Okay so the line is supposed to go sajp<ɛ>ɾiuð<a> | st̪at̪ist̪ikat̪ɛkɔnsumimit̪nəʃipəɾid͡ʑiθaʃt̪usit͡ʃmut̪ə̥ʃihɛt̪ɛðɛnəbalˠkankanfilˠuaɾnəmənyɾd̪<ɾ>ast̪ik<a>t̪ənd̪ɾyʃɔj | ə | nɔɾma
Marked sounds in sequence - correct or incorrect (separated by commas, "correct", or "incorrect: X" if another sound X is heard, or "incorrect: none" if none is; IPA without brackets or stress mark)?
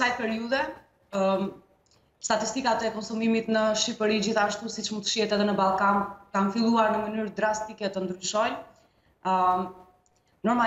correct, incorrect: ɛ, correct, incorrect: ɛ